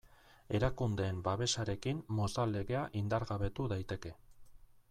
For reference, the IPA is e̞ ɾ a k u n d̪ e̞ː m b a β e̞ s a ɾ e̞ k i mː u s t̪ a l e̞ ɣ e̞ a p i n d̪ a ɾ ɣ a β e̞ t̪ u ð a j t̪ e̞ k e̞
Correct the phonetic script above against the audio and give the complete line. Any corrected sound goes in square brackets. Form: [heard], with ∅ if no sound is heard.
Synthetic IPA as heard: e̞ ɾ a k u n d̪ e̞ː m b a β e̞ s a ɾ e̞ k i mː [o] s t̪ a l e̞ ɣ e̞ a [ʔ] i n d̪ a ɾ ɣ a β e̞ t̪ u ð a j t̪ e̞ k e̞

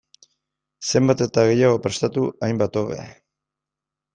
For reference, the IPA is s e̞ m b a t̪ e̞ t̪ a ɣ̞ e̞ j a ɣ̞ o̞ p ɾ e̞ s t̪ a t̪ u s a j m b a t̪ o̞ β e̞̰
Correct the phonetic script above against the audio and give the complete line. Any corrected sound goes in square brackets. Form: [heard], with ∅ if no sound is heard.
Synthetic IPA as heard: s e̞ m b a t̪ e̞ t̪ a ɣ̞ e̞ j a ɣ̞ o̞ p ɾ e̞ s t̪ a t̪ u [∅] a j m b a t̪ o̞ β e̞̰

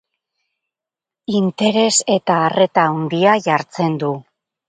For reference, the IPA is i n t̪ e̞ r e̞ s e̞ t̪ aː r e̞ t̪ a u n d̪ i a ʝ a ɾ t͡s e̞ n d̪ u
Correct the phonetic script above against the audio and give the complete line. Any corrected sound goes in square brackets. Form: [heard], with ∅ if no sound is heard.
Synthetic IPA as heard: i n t̪ e̞ [ɾ] e̞ s e̞ t̪ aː r e̞ t̪ a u n d̪ i a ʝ a ɾ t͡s e̞ n d̪ u

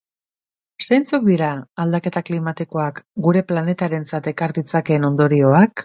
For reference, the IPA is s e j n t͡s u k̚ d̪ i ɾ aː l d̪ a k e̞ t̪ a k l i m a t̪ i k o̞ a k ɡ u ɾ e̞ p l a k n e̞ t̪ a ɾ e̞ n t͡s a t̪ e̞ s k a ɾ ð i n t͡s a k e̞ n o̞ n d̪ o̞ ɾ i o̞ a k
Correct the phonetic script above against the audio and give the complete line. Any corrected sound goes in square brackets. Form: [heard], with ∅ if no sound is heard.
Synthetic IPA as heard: s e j n t͡s u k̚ d̪ i ɾ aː l d̪ a k e̞ t̪ a k l i m a t̪ i k o̞ a k ɡ u ɾ e̞ p l a [∅] n e̞ t̪ a ɾ e̞ n t͡s a t̪ e̞ [∅] k a ɾ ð i [∅] t͡s a k e̞ n o̞ n d̪ o̞ ɾ i o̞ a k

